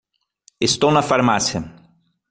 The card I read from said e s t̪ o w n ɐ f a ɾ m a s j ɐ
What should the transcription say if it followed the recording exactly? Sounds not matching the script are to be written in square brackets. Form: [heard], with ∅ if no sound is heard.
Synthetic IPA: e s t̪ o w n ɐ f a ɾ m a s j ɐ